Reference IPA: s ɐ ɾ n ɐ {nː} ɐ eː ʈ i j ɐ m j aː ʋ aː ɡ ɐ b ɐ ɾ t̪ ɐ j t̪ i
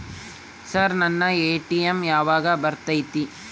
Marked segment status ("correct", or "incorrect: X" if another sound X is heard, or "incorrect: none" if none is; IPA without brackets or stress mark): correct